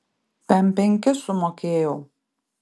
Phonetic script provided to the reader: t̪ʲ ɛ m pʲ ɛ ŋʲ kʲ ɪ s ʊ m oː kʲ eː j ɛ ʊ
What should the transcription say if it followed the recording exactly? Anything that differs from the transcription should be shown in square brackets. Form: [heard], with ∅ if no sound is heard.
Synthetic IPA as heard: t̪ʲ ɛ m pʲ ɛ ŋʲ kʲ ɪ s ʊ m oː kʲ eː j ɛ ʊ